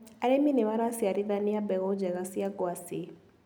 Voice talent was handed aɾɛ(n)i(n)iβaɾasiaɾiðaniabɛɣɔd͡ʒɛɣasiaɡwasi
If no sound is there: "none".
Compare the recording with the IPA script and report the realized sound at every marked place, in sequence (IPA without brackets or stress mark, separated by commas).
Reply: m, n